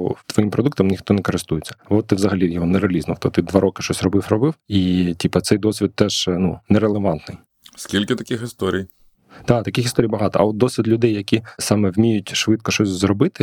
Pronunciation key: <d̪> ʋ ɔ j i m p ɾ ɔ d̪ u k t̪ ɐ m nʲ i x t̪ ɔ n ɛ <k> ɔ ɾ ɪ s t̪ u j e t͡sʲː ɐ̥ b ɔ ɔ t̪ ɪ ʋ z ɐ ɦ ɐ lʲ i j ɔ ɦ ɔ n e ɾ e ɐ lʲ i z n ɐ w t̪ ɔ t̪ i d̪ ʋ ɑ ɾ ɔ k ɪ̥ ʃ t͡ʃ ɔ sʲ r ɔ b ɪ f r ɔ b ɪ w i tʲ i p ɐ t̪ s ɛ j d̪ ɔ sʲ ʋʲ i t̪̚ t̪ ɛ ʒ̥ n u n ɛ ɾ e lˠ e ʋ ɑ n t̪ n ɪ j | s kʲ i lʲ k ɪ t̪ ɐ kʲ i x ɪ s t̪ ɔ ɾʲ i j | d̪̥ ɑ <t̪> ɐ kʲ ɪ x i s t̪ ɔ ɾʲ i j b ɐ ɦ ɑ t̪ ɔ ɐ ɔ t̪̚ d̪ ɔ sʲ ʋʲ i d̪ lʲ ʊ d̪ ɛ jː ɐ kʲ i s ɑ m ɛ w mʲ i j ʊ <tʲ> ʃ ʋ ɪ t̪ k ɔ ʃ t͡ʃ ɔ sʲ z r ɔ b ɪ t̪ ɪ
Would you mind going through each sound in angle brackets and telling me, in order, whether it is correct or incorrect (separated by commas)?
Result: incorrect, correct, correct, correct